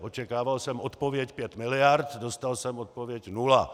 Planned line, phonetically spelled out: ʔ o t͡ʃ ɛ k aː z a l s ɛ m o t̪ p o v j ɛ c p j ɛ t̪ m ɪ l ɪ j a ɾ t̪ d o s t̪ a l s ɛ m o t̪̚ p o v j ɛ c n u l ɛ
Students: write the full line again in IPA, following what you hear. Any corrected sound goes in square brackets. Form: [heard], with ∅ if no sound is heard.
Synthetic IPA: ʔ o t͡ʃ ɛ k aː [v] a l s ɛ m o t̪ p o v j ɛ c p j ɛ t̪ m ɪ l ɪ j a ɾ t̪ d o s t̪ a l s ɛ m o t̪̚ p o v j ɛ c n u l [a]